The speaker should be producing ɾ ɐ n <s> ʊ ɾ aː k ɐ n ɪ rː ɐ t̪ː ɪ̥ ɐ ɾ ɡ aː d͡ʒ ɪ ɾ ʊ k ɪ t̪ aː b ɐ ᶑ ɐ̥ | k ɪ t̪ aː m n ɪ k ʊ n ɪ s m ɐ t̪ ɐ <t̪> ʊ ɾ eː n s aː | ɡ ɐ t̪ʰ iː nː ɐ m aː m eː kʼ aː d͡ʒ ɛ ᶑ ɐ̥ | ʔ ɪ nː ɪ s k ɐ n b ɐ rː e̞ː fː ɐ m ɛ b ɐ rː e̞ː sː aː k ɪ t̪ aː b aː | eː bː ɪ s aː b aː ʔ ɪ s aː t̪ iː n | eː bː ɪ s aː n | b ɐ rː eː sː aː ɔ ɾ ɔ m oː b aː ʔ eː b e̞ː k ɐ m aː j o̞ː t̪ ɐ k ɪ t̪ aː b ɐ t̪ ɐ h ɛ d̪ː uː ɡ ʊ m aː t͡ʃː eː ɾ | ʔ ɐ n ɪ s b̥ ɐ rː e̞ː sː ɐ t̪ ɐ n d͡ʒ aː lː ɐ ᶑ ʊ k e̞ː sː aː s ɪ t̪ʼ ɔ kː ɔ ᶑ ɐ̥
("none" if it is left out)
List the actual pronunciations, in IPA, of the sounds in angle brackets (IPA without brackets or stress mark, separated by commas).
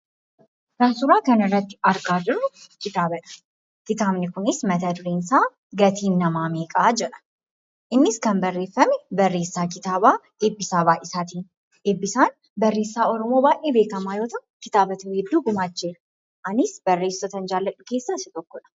s, d̪